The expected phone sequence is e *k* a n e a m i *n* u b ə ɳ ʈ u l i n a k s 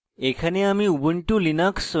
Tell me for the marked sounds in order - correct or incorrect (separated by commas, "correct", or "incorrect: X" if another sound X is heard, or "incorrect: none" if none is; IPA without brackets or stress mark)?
incorrect: kʰ, incorrect: none